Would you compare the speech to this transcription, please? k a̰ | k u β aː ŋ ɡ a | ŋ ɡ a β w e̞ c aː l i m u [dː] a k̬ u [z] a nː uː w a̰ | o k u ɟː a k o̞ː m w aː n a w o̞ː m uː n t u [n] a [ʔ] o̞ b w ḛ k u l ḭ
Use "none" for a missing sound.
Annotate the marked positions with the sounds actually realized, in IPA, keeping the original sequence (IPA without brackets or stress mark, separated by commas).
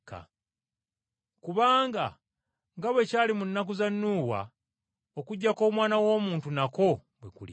nː, z, n, k